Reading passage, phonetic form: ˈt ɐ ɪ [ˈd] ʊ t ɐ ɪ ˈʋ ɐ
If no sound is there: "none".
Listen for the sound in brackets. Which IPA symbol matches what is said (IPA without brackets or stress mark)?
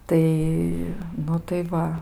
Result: n